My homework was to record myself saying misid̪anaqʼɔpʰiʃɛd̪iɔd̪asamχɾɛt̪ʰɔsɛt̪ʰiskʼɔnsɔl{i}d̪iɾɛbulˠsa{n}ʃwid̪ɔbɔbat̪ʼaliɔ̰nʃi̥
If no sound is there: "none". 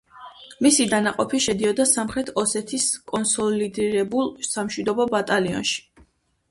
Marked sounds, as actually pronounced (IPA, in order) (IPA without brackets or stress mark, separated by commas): i, m